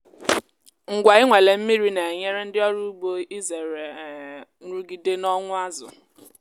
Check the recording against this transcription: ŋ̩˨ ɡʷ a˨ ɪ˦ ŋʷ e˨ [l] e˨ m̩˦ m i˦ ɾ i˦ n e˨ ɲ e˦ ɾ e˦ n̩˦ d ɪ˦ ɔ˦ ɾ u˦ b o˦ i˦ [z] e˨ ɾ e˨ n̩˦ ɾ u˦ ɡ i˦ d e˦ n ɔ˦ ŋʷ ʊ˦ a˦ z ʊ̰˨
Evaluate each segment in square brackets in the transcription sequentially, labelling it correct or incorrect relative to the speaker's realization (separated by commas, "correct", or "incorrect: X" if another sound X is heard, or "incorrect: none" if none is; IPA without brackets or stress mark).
correct, correct